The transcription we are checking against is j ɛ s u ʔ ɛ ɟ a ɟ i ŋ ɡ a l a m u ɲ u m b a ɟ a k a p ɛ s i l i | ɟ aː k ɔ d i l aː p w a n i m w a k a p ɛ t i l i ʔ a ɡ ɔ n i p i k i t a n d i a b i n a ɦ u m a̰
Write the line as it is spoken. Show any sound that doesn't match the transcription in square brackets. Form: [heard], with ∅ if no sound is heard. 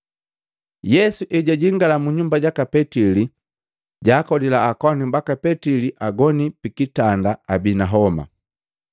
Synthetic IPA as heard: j ɛ s u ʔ ɛ ɟ a ɟ i ŋ ɡ a l a m u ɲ u m b a ɟ a k a p ɛ [t] i l i | ɟ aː k ɔ d i l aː [k] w a n i m [b] a k a p ɛ t i l i ʔ a ɡ ɔ n i p i k i t a n d [a] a b i n a ɦ [ɔ] m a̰